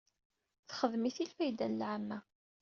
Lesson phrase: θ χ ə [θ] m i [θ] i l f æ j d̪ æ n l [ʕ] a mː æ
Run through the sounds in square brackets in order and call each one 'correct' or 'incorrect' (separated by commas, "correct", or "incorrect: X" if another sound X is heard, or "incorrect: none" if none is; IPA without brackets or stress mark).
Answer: incorrect: ð, correct, correct